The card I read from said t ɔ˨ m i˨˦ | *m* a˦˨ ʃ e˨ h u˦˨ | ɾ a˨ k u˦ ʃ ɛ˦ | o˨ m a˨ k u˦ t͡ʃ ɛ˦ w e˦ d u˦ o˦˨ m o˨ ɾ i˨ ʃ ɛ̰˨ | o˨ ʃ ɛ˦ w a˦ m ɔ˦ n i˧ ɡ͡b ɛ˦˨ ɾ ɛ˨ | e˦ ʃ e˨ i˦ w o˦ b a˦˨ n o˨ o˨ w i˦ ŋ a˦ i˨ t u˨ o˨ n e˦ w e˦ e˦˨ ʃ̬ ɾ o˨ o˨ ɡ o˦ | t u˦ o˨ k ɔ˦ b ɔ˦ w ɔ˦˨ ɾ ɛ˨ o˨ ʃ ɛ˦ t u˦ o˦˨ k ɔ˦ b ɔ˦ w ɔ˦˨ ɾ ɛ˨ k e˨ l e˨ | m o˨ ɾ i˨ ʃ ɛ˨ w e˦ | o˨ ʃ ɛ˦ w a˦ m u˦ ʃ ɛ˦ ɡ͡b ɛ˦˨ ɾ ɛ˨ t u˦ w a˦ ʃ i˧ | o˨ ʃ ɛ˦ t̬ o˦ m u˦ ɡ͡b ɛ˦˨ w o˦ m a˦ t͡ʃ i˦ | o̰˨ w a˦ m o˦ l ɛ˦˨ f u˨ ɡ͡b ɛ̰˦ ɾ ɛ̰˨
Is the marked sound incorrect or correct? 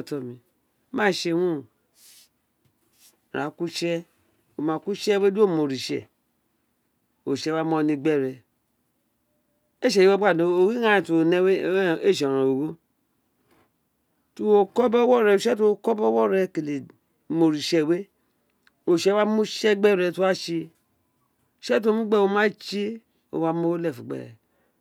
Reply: correct